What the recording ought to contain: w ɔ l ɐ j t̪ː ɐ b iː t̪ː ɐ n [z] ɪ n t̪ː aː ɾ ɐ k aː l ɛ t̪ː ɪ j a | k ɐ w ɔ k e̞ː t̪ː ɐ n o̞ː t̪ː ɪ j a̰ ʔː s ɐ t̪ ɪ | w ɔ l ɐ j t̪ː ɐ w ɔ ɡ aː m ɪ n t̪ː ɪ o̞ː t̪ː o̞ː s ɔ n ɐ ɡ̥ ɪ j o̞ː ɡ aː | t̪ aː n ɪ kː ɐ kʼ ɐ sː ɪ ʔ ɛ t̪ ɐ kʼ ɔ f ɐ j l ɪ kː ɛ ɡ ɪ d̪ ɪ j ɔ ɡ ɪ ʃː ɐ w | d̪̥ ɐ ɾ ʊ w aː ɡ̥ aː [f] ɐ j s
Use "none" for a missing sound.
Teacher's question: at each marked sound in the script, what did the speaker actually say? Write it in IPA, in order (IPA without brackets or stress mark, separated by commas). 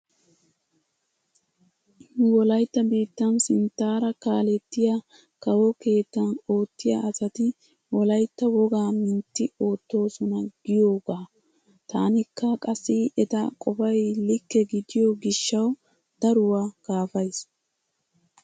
s, f